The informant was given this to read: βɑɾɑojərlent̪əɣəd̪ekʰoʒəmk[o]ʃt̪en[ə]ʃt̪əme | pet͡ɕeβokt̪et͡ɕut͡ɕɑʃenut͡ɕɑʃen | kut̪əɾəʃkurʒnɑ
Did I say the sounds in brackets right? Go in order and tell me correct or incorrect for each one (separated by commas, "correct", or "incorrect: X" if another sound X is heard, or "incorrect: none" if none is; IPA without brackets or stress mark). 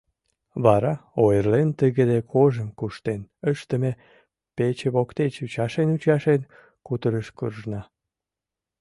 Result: incorrect: u, correct